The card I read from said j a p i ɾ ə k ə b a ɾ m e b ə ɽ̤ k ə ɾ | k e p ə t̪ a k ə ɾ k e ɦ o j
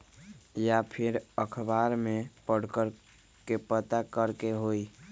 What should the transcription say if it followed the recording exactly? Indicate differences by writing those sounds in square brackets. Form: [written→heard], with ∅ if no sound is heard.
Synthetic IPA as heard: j a [p→pʰ] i ɾ ə [k→kʰ] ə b a ɾ m e [b→p] ə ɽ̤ k ə ɾ | k e p ə t̪ a k ə ɾ k e ɦ o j